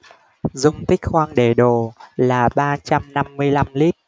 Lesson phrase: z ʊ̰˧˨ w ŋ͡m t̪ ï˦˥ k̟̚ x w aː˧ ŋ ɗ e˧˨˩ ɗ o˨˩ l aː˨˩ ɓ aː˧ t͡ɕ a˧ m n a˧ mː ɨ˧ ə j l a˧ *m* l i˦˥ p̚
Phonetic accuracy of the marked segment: correct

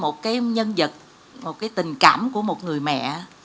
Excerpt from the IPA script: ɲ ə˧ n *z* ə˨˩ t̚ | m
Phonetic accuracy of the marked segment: correct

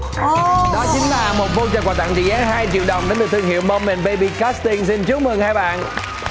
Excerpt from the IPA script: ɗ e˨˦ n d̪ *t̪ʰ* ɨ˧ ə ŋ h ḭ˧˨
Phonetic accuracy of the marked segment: incorrect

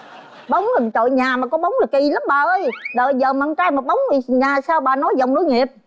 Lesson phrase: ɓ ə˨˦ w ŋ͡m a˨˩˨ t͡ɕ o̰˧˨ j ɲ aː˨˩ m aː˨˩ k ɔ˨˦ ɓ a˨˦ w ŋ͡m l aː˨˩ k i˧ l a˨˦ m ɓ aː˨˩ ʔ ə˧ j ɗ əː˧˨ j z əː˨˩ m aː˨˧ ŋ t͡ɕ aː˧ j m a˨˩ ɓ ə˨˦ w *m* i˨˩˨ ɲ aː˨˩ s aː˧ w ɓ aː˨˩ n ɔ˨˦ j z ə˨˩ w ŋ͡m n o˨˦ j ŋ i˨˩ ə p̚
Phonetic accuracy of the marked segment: incorrect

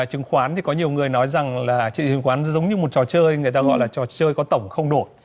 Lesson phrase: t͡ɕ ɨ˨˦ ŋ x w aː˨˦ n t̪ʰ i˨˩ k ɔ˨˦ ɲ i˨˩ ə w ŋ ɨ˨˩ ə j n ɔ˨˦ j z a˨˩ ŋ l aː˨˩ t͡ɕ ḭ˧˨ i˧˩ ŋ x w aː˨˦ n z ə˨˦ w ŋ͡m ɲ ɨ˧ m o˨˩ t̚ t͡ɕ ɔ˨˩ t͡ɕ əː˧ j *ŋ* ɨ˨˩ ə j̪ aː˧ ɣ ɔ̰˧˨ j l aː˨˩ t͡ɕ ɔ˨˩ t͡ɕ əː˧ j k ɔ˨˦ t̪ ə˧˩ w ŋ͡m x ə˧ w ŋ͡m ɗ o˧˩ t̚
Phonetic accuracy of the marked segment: correct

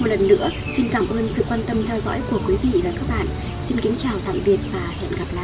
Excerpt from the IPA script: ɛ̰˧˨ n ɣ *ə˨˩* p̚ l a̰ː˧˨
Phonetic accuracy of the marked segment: incorrect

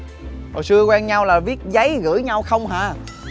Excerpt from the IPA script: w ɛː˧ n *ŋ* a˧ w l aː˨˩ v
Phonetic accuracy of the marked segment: incorrect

